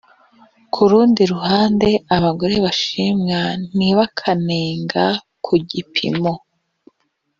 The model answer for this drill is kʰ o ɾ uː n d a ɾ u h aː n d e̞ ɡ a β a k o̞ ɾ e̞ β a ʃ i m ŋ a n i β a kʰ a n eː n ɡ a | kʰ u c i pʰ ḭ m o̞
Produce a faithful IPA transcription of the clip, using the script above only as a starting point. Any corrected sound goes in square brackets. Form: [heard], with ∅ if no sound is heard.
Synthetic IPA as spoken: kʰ [u] ɾ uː n d [i] ɾ u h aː n d e̞ [∅] a β a [ɡ] o̞ ɾ e̞ β a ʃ i m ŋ a n i β a kʰ a n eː [ŋ] ɡ a | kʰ u [ɟ] i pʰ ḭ m o̞